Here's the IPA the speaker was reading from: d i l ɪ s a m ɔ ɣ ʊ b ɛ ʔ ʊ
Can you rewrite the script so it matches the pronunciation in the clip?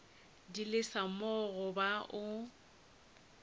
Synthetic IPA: d i l ɪ s a m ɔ ɣ ʊ b a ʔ ʊ